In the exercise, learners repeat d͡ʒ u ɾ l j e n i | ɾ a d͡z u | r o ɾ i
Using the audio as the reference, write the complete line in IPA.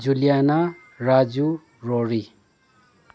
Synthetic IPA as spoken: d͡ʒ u l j a n a | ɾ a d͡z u | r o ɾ i